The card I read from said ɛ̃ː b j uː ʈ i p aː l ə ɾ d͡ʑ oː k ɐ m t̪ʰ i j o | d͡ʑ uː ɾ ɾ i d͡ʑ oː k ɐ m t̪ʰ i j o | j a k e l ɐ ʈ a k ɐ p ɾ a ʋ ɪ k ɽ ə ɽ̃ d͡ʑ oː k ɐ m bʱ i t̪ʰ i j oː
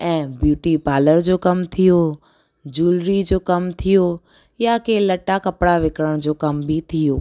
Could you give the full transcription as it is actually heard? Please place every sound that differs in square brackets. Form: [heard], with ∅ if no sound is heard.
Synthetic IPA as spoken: ɛ̃ː b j uː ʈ i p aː l ə ɾ d͡ʑ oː k ɐ m t̪ʰ i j o | d͡ʑ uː [l] ɾ i d͡ʑ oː k ɐ m t̪ʰ i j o | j a k e l ɐ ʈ a k ɐ p [ɽ] a ʋ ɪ k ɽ ə ɽ̃ d͡ʑ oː k ɐ m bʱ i t̪ʰ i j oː